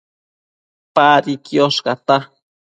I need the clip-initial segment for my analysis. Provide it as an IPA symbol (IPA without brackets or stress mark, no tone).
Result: p